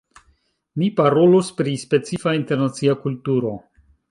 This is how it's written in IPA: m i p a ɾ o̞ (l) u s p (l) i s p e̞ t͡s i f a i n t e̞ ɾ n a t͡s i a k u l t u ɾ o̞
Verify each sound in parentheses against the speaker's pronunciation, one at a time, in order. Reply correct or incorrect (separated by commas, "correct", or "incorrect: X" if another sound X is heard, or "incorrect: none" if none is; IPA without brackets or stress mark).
correct, incorrect: ɾ